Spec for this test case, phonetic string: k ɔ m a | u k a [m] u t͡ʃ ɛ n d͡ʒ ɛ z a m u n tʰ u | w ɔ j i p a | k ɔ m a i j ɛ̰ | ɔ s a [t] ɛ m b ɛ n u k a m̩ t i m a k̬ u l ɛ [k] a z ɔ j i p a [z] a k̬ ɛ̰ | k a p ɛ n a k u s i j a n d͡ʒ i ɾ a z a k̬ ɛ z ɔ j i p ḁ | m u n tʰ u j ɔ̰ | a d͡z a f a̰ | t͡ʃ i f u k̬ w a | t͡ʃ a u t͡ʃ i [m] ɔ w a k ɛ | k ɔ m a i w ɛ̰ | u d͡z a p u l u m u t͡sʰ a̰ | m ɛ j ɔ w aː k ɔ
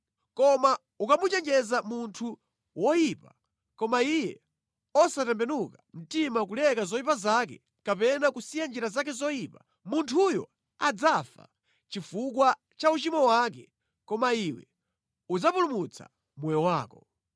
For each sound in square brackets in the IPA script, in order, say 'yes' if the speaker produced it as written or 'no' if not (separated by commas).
yes, yes, yes, yes, yes